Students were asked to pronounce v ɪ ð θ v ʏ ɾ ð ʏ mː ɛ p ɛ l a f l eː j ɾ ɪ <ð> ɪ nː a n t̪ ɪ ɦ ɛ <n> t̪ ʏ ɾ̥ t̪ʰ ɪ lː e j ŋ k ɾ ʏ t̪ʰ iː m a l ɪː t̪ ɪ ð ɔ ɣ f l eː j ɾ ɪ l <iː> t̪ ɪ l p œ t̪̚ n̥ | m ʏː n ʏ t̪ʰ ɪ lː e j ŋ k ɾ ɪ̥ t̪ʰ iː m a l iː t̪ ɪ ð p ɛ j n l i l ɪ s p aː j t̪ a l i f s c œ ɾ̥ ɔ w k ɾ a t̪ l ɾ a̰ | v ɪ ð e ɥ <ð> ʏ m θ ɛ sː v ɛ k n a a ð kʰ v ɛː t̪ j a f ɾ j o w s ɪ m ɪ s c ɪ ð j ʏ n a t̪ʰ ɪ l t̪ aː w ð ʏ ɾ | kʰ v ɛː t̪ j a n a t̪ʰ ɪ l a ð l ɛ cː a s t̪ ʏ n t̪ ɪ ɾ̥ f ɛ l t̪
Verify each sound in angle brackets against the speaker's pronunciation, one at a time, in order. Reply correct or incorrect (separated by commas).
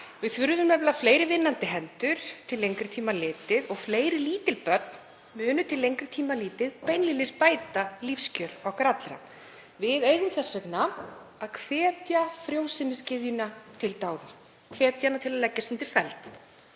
incorrect, correct, correct, correct